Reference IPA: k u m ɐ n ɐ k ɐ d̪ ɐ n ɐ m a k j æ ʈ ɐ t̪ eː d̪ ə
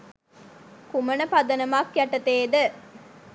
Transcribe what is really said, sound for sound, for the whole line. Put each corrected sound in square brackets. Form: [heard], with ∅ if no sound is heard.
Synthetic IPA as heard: k u m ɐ n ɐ [p] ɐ d̪ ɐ n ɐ m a k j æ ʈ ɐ t̪ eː d̪ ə